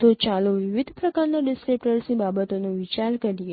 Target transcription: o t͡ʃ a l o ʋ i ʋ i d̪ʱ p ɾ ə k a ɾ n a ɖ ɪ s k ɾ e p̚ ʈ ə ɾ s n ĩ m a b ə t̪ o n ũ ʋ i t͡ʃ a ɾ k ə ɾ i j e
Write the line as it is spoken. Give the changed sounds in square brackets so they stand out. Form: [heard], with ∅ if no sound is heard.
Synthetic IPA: o t͡ʃ a l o ʋ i ʋ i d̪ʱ p ɾ ə k a ɾ n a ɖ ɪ s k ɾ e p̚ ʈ ə ɾ s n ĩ [b] a b ə t̪ o n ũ ʋ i t͡ʃ a ɾ k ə ɾ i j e